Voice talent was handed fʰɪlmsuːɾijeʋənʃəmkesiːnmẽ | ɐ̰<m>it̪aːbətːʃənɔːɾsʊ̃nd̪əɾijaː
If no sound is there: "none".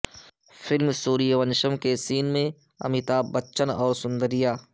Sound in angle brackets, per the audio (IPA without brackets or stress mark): m